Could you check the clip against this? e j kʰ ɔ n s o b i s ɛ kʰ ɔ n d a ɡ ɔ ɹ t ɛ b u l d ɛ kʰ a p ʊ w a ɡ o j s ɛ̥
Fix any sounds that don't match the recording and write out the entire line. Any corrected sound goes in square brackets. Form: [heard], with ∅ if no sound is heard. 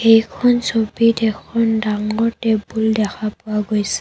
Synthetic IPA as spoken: e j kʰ ɔ n s o b i [t] ɛ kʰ ɔ n d a [ŋ] ɔ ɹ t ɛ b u l d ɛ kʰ a p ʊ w a ɡ o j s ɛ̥

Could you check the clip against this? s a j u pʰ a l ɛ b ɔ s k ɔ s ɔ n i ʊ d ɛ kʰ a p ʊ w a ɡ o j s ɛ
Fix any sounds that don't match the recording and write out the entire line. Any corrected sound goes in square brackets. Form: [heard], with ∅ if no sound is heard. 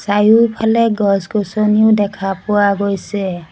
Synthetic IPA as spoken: s a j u pʰ a l ɛ [ɡ] ɔ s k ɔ s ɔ n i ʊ d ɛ kʰ a p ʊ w a ɡ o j s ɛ

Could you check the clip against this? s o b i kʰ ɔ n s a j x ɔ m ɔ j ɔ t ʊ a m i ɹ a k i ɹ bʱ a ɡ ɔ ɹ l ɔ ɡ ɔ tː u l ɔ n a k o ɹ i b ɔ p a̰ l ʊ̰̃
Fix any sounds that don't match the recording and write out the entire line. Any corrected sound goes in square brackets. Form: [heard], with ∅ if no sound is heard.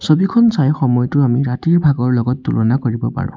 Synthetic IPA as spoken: s o b i kʰ ɔ n s a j x ɔ m ɔ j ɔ t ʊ a m i ɹ a [t] i ɹ bʱ a ɡ ɔ ɹ l ɔ ɡ ɔ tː u l ɔ n a k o ɹ i b ɔ p a̰ [ɹ] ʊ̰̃

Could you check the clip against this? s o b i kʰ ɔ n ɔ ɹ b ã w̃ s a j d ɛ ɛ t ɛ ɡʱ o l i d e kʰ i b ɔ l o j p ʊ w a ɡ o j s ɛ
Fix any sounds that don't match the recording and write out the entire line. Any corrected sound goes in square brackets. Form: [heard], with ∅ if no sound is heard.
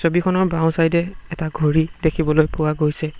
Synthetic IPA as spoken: s o b i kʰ ɔ n ɔ ɹ b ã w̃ s a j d ɛ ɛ t [a] ɡʱ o [ɹ] i d e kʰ i b ɔ l o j p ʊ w a ɡ o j s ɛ

